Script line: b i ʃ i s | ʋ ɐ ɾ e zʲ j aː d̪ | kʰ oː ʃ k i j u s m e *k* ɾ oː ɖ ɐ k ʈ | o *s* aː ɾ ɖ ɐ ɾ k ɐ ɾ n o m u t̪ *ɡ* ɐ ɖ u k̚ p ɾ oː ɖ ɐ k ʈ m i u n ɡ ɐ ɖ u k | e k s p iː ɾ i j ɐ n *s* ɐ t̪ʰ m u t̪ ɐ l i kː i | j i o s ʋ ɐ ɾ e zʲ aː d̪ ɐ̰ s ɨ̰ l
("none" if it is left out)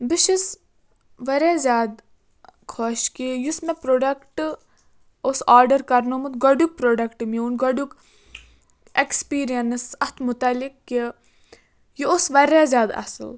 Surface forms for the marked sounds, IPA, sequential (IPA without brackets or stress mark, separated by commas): p, s, ɡ, s